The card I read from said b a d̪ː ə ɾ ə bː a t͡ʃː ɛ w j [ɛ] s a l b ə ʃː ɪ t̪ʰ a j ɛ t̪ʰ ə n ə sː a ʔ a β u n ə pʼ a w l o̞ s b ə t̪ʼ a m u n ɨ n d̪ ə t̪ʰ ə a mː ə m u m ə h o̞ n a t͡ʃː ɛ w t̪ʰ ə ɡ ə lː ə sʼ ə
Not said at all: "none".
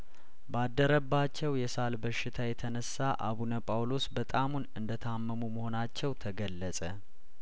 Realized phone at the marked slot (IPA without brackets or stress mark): ɛ